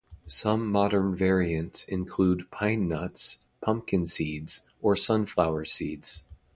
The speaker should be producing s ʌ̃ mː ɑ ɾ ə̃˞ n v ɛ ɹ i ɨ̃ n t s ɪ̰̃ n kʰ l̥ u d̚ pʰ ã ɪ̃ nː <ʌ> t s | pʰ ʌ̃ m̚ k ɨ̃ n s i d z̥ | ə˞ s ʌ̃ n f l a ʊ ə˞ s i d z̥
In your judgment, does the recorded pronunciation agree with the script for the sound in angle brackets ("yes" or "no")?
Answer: yes